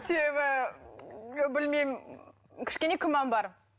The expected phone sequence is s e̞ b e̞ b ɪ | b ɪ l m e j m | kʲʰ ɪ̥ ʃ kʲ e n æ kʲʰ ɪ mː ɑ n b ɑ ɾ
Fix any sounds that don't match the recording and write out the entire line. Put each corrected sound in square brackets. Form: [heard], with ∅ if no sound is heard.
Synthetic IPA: s e̞ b e̞ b ɪ | b ɪ l m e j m | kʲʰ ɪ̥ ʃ kʲ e n [e] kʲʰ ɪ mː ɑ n b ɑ ɾ